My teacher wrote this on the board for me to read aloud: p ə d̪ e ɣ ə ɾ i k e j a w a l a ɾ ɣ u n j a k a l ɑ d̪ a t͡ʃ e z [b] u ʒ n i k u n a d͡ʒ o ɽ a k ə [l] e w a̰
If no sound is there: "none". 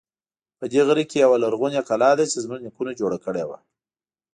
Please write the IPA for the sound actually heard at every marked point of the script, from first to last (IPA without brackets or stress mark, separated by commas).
m, ɽ